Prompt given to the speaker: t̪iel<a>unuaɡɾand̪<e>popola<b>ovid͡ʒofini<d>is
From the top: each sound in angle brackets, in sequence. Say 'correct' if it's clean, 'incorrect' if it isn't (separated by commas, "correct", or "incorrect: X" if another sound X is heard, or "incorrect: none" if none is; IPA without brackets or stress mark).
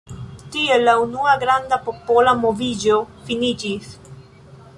correct, incorrect: a, incorrect: m, incorrect: d͡ʒ